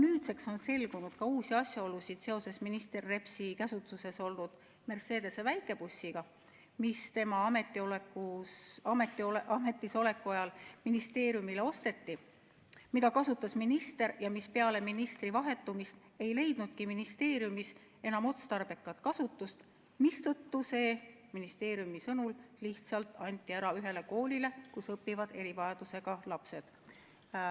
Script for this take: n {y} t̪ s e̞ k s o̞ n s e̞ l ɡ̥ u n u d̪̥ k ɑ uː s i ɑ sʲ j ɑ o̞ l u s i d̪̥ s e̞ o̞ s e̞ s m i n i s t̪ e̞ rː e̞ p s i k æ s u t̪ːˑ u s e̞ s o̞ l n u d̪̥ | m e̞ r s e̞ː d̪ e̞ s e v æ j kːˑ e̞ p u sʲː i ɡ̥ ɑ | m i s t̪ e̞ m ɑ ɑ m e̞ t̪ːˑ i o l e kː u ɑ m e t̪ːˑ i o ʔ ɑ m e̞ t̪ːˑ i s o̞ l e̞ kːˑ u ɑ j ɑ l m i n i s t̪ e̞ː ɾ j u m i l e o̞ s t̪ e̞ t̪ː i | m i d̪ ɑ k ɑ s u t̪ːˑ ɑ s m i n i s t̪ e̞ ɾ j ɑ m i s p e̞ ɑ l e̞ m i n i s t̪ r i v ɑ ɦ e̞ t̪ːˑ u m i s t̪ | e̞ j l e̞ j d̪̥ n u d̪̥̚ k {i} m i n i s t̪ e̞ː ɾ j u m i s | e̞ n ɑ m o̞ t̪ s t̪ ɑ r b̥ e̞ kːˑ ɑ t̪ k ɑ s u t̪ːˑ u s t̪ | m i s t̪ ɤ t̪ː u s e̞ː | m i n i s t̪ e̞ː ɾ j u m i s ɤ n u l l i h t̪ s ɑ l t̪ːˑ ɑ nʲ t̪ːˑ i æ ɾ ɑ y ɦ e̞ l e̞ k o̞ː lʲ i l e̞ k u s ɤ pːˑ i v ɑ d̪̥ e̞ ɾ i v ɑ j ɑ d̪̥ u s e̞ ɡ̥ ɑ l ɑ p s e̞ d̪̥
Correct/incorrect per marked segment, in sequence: incorrect: yː, correct

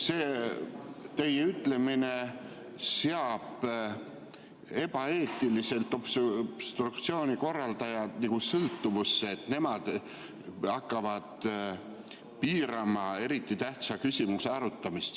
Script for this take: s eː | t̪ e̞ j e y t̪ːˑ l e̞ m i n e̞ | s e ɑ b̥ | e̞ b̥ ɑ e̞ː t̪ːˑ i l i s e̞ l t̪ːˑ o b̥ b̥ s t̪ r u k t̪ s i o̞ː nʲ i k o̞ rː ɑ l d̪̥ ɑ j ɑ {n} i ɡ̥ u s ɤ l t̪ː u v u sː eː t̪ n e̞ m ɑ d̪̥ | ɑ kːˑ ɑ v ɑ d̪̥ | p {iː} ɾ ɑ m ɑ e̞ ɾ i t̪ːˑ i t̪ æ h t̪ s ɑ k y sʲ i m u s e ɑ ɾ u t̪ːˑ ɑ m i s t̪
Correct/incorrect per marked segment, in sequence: correct, correct

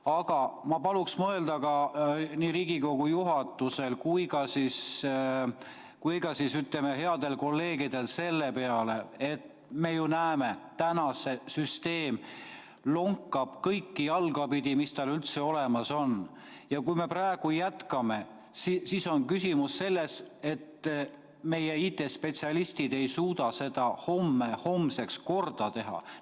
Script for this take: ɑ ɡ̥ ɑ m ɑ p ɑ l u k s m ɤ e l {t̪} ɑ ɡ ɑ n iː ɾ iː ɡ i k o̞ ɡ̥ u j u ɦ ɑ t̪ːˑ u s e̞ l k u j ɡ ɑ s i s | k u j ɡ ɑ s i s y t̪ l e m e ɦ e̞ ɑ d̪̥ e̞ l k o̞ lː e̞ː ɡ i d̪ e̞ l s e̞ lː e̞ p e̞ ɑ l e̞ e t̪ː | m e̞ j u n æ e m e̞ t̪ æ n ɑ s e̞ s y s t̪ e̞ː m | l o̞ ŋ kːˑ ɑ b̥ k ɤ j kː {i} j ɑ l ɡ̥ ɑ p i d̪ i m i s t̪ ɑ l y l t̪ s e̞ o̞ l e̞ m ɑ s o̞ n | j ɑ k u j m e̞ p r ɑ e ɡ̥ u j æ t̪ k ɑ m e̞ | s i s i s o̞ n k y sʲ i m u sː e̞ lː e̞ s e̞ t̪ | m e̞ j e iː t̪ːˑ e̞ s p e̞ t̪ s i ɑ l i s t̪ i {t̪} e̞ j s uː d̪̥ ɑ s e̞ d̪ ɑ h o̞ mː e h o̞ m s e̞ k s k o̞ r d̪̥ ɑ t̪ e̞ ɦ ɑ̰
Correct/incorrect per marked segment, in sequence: incorrect: d̪, correct, incorrect: d̪

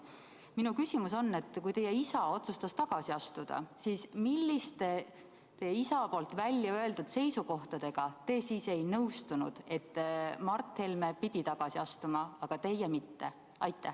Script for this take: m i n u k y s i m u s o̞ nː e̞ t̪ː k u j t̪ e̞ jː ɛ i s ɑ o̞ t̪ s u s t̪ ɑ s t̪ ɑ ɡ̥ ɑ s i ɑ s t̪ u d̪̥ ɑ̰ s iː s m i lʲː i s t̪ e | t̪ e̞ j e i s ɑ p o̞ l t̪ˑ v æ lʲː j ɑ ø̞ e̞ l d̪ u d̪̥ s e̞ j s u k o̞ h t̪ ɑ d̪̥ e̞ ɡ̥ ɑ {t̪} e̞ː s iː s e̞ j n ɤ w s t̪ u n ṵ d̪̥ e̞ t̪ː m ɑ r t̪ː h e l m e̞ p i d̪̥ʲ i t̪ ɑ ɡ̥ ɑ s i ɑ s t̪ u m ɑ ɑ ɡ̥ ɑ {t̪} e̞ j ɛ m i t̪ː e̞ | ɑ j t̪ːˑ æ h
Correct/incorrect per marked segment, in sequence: correct, correct

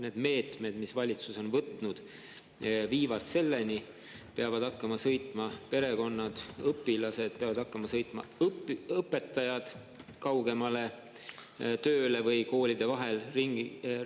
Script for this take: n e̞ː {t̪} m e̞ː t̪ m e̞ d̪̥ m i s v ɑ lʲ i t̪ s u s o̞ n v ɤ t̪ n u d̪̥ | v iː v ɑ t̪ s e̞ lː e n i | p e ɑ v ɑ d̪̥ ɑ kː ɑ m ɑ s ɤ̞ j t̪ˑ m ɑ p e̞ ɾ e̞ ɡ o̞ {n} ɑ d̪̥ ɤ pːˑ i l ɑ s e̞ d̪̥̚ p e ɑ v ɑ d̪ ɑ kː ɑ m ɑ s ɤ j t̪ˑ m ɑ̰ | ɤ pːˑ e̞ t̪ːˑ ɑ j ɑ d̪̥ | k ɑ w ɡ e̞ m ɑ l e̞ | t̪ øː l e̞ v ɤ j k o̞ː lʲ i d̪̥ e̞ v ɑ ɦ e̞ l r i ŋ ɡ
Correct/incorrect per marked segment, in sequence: incorrect: d̪, incorrect: nː

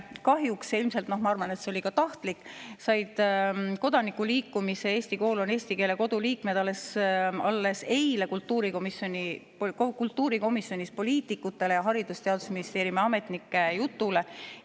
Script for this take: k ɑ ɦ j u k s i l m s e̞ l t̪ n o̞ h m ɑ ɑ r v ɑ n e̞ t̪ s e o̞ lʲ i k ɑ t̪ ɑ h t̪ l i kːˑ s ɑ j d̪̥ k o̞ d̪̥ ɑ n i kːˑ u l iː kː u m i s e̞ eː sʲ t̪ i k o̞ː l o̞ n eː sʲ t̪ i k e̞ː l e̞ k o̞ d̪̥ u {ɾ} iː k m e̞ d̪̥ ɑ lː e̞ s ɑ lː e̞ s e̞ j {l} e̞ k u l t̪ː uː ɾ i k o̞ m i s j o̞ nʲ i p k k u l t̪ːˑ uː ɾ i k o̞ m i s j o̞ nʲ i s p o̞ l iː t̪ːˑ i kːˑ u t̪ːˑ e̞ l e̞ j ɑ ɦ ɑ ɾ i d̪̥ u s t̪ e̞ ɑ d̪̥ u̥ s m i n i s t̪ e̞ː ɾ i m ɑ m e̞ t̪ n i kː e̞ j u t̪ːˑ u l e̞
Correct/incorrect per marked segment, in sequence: incorrect: l, correct

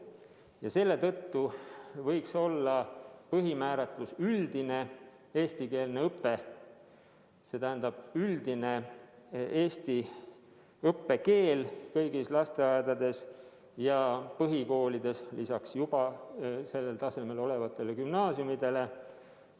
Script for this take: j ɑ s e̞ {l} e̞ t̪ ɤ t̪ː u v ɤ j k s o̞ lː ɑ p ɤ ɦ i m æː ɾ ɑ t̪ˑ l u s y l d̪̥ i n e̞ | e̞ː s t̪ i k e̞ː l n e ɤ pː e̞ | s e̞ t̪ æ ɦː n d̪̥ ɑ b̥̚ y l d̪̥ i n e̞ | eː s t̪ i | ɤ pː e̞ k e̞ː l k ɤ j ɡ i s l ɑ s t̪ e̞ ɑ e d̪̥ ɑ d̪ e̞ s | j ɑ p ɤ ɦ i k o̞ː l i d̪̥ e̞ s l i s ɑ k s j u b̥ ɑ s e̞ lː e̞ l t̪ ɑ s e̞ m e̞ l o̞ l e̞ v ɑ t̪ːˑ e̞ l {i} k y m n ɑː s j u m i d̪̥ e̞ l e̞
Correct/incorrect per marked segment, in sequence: incorrect: lː, incorrect: e

